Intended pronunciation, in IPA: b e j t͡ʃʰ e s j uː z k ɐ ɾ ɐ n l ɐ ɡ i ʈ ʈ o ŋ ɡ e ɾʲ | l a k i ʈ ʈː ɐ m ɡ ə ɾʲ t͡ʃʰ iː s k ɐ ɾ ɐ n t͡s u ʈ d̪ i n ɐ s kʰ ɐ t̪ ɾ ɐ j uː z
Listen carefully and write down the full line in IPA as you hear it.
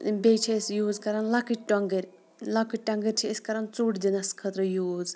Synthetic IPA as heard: b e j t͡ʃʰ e s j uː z k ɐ ɾ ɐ n l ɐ k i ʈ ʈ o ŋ ɡ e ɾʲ | l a k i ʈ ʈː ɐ ŋ ɡ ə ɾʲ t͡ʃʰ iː s k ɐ ɾ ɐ n t͡s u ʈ d̪ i n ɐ s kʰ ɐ t̪ ɾ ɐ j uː z